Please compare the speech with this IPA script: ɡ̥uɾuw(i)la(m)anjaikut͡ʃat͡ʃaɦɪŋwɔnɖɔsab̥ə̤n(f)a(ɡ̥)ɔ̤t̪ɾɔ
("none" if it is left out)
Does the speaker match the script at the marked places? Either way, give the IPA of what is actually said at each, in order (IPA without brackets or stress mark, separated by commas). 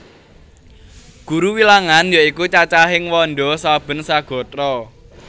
i, ŋ, s, ɡ̥